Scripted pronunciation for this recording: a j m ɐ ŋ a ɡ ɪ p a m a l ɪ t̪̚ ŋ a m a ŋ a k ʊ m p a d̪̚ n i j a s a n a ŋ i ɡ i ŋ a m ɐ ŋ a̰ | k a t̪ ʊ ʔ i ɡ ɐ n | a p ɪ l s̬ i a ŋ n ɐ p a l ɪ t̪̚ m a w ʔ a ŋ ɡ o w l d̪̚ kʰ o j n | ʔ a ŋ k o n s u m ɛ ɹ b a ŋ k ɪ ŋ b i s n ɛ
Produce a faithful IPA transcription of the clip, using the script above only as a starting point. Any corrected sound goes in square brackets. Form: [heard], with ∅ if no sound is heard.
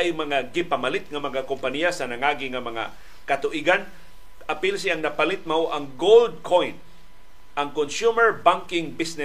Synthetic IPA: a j m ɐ ŋ a ɡ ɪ p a m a l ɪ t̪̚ ŋ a m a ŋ a k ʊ m p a [∅] n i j a s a n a ŋ [a] ɡ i ŋ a m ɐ ŋ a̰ | k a t̪ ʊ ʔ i ɡ [a] n | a p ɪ l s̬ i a ŋ n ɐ p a l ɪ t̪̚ m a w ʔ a ŋ ɡ o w l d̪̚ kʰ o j n | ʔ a ŋ k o n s u m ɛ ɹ b a ŋ k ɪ ŋ b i s n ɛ